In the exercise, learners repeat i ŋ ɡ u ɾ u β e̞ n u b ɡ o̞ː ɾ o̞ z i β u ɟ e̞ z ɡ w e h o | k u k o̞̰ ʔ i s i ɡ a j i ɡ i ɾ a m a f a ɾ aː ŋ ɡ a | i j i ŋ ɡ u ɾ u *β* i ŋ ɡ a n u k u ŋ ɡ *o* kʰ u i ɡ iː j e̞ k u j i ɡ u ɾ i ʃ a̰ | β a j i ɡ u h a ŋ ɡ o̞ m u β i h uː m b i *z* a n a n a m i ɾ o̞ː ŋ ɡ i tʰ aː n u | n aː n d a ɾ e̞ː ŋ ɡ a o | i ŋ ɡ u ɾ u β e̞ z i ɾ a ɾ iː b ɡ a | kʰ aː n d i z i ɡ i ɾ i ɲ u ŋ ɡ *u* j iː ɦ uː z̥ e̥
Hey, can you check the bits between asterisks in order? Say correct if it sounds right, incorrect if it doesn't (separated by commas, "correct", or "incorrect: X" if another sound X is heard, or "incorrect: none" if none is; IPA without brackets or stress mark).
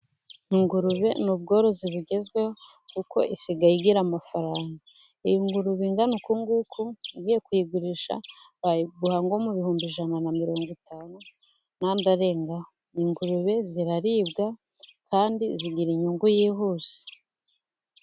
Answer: correct, incorrect: u, incorrect: ʒ, correct